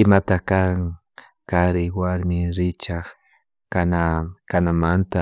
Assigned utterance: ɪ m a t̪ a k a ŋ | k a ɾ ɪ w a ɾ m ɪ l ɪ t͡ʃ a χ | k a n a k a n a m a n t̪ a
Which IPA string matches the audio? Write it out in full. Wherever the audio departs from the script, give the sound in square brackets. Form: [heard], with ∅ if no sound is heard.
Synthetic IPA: ɪ m a t̪ a k a ŋ | k a ɾ ɪ w a ɾ m ɪ [ɾ] ɪ t͡ʃ a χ | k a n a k a n a m a n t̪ a